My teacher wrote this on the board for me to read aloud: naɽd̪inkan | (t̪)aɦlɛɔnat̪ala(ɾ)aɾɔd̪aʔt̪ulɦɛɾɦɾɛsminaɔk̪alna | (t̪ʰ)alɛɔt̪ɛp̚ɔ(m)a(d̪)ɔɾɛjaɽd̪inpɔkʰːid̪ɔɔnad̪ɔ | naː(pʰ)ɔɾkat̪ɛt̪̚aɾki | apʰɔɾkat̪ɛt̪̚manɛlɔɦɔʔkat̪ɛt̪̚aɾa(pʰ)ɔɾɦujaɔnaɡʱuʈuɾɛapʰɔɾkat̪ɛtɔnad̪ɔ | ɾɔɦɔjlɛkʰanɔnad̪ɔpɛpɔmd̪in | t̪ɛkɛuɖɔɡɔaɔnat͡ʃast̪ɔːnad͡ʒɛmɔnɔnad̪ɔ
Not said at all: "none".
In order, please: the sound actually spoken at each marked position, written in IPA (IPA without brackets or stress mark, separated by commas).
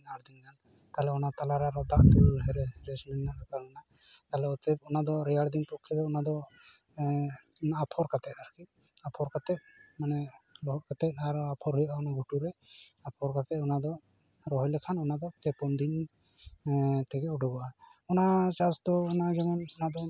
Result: t̪, ɾ, t̪, n, d̪, pʰ, pʰ